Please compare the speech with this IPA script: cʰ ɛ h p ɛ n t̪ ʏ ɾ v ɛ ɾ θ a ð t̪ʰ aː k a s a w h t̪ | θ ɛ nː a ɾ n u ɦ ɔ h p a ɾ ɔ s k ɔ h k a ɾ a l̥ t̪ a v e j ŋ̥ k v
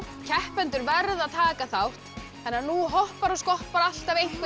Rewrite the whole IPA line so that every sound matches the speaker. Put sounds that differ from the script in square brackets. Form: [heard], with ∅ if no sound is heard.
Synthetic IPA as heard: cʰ ɛ h p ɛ n t̪ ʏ ɾ v ɛ ɾ [ð] a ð t̪ʰ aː k a [θ] a w h t̪ | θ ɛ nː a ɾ n u ɦ ɔ h p a ɾ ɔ s k ɔ h [p] a ɾ a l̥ t̪ a v e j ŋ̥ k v